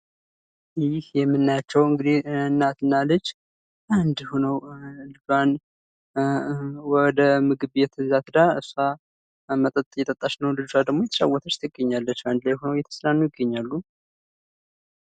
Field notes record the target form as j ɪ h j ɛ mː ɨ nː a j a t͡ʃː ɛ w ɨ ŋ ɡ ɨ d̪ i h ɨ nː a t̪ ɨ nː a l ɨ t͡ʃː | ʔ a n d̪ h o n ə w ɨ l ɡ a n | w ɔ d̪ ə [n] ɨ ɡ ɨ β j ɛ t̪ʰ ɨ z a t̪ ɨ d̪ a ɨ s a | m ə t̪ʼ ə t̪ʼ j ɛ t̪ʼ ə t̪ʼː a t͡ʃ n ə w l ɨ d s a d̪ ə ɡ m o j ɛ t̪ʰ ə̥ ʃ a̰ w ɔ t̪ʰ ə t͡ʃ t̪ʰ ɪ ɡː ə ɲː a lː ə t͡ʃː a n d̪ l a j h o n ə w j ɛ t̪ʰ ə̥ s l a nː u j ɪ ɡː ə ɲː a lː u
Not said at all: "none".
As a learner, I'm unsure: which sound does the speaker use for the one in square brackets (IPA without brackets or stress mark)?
m